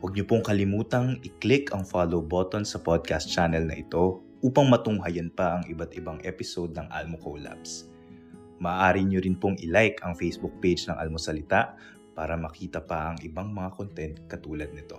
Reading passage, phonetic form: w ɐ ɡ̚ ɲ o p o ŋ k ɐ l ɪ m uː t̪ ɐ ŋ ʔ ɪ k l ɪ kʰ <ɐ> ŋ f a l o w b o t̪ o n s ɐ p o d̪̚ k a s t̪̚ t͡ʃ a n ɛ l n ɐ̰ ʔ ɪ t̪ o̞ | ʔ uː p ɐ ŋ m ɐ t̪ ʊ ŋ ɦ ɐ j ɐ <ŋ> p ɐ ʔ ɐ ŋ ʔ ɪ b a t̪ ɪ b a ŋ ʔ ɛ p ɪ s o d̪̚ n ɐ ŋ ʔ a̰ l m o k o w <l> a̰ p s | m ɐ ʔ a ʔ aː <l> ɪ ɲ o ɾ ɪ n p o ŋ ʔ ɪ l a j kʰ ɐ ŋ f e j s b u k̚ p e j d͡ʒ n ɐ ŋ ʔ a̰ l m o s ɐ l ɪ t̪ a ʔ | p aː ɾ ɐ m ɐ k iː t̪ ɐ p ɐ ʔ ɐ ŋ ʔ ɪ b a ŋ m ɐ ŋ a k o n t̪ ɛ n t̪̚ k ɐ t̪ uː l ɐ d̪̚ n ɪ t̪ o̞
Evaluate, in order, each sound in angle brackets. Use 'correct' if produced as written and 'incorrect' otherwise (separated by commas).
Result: correct, incorrect, correct, incorrect